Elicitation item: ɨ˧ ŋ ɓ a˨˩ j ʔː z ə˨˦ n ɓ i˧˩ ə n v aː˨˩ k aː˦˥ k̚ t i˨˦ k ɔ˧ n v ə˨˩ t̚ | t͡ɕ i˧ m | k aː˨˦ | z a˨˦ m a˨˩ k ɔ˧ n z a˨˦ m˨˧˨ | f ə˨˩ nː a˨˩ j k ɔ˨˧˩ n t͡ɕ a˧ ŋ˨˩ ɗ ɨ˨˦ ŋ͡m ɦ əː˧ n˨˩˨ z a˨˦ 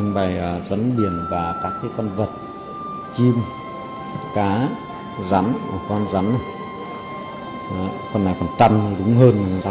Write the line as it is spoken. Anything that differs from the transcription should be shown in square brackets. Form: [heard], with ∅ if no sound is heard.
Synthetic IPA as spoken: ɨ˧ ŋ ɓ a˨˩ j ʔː z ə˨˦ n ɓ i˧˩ ə n v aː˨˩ k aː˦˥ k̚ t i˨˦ k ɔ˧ n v ə˨˩ t̚ | t͡ɕ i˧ m | k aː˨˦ | z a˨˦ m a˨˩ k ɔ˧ n z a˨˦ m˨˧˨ | f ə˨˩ nː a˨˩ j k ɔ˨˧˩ n t͡ɕ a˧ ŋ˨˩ ɗ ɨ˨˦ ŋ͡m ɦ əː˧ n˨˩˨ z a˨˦

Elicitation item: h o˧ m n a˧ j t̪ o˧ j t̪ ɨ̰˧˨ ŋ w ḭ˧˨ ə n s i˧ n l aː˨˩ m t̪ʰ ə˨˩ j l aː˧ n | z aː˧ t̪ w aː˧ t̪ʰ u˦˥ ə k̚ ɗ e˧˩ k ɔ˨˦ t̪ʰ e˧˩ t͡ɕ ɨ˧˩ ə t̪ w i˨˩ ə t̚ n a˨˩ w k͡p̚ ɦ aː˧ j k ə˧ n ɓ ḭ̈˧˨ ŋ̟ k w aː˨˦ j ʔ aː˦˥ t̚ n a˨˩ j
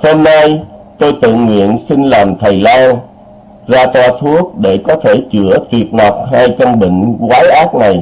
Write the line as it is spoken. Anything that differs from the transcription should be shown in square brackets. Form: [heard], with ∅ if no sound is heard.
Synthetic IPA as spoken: h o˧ m n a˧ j t̪ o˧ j t̪ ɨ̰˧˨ ŋ w ḭ˧˨ ə n s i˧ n l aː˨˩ m t̪ʰ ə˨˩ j l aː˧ n | z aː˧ t̪ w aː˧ t̪ʰ u˦˥ ə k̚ ɗ e˧˩ k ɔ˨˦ t̪ʰ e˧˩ t͡ɕ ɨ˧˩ ə t̪ w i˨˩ ə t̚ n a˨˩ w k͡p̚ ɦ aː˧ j k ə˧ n ɓ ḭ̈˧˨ ŋ̟ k w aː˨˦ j ʔ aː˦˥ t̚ n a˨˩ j

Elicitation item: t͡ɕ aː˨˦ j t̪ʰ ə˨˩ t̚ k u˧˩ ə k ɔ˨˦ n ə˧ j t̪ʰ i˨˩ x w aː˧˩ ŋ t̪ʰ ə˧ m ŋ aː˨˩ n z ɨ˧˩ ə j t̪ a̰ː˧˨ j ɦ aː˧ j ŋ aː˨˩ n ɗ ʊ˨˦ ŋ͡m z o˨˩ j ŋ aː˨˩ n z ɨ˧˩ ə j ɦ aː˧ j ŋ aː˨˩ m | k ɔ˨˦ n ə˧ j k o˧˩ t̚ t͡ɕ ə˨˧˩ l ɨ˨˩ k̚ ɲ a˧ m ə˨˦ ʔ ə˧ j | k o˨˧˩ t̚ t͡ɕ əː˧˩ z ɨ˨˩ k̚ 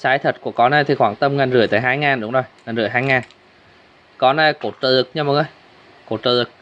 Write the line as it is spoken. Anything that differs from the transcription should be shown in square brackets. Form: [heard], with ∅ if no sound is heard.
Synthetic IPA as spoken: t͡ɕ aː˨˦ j t̪ʰ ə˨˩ t̚ k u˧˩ ə k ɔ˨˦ n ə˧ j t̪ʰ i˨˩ x w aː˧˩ ŋ [t̪] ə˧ m ŋ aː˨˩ n z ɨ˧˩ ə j t̪ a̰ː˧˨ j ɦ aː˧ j ŋ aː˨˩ n ɗ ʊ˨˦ ŋ͡m z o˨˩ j ŋ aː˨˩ n z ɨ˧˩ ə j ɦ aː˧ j ŋ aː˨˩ [n] | k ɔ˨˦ n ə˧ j k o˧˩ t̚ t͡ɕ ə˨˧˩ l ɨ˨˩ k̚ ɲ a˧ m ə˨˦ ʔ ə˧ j | k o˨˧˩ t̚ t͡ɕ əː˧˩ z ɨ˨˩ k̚

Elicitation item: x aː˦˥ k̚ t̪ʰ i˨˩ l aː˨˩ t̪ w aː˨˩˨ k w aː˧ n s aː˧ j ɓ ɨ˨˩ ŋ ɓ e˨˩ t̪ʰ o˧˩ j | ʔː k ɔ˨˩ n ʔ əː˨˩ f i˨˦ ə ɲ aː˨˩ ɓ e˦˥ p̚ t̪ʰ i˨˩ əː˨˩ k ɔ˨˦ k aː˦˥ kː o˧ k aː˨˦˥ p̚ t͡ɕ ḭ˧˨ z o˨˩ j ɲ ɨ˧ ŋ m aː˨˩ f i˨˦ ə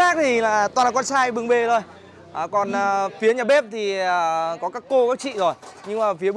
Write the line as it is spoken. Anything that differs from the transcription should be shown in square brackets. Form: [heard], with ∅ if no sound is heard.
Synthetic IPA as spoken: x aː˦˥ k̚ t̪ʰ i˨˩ l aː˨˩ t̪ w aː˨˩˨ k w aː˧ n s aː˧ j ɓ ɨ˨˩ ŋ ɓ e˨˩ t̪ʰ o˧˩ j | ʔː k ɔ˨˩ n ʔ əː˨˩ f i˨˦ ə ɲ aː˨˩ ɓ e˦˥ p̚ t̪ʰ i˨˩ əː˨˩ k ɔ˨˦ k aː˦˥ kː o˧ k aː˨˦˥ [k̚] t͡ɕ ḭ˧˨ z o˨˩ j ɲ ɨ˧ ŋ m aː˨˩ f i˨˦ ə

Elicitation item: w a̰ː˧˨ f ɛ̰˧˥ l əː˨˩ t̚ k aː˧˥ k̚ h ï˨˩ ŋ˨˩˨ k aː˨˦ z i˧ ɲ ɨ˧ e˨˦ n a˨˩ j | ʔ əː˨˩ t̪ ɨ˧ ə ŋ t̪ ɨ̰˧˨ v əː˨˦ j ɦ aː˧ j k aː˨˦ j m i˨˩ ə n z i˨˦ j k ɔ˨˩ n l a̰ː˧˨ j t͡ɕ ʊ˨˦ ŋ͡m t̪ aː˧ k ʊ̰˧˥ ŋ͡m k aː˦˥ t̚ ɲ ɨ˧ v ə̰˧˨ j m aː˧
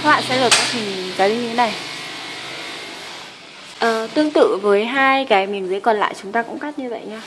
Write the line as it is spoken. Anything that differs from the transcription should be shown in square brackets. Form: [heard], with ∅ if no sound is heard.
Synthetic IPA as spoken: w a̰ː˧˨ [s] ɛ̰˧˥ l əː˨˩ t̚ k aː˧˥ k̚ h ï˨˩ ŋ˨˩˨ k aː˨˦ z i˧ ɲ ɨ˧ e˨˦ n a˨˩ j | ʔ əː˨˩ t̪ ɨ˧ ə ŋ t̪ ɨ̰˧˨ v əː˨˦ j ɦ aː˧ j k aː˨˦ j m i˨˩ ə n z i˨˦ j k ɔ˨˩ n l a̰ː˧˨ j t͡ɕ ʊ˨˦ ŋ͡m t̪ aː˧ k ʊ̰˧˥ ŋ͡m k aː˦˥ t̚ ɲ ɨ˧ v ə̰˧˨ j [ɲ] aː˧

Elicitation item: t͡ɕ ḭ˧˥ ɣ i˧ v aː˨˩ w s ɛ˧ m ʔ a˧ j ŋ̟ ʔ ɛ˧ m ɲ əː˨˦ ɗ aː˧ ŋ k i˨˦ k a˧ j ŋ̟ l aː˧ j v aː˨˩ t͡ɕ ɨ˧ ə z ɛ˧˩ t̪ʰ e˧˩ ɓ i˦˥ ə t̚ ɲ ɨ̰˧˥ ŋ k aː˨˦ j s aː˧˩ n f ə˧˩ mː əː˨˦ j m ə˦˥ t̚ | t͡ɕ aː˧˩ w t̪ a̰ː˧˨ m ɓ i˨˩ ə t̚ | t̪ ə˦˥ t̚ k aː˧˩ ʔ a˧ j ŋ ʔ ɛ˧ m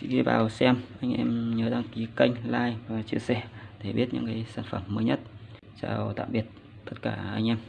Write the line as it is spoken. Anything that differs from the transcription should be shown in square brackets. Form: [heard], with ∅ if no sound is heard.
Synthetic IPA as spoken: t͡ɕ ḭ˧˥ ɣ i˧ v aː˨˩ w s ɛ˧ m ʔ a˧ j ŋ̟ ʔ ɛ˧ m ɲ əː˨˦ ɗ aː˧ ŋ k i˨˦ k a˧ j ŋ̟ l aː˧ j v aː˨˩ t͡ɕ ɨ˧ ə [s] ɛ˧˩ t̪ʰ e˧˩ ɓ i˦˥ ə t̚ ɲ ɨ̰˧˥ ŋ k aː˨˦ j s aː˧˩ n f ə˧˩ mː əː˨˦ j [ɲ] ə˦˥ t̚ | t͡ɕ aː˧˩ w t̪ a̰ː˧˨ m ɓ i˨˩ ə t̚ | t̪ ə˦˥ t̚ k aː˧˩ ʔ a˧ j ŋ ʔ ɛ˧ m

